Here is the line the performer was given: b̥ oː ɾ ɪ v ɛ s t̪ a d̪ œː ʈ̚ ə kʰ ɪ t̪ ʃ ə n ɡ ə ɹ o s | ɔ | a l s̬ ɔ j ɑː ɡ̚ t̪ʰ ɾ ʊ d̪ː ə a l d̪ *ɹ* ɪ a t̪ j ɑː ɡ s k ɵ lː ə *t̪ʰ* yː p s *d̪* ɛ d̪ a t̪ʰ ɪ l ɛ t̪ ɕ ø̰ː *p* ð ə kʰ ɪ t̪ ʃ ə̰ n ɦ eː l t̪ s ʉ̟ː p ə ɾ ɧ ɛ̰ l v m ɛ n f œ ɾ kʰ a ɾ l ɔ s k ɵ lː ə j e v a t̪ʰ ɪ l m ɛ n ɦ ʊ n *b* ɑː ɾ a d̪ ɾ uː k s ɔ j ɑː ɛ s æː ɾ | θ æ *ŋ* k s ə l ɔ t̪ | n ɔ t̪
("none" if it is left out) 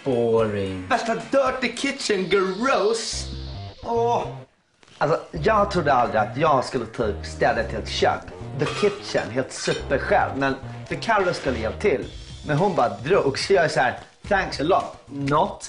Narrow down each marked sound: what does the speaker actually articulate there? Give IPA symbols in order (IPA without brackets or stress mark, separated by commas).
ɾ, t̪ʰ, t̪, k, b, ŋ